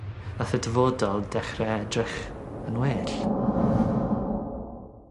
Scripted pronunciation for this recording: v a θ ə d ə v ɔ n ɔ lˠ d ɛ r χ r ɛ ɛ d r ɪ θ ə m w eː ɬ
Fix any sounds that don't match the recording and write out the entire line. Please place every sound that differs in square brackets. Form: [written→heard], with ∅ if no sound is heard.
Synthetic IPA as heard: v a θ ə d ə v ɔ [n→d] ɔ lˠ d ɛ [r→∅] χ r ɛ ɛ d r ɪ [θ→χ] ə [m→n] w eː ɬ